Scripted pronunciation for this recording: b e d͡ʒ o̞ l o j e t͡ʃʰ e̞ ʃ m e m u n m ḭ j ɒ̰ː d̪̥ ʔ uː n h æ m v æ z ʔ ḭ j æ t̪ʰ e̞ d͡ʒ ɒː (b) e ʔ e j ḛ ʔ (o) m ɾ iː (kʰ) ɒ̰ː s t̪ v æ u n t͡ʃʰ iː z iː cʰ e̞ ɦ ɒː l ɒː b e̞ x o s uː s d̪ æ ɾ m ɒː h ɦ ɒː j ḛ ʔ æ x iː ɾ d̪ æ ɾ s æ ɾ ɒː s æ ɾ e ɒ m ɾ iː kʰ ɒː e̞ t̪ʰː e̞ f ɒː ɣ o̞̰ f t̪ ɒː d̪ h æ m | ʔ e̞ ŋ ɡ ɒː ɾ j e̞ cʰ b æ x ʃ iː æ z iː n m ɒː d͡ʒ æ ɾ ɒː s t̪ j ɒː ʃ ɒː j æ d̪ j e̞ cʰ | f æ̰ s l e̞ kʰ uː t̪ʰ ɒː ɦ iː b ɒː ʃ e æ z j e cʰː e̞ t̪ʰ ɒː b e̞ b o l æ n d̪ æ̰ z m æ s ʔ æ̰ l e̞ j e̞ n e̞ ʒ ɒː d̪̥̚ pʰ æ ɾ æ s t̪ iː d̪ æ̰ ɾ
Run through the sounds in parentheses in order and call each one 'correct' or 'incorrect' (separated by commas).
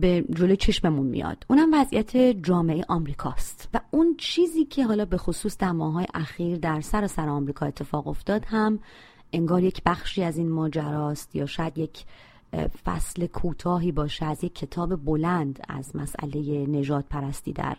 incorrect, incorrect, correct